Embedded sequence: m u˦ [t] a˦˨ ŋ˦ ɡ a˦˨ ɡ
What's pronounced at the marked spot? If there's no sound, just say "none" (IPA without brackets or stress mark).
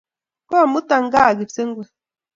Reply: t